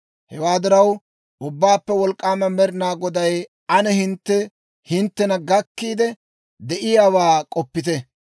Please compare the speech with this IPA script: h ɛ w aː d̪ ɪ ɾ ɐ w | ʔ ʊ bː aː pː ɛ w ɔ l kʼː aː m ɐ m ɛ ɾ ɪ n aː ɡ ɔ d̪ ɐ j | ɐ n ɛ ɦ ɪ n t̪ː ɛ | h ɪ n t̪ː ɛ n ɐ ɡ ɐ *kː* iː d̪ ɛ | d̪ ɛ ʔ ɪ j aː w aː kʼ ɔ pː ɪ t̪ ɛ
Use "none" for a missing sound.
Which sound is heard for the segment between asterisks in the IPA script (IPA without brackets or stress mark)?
kː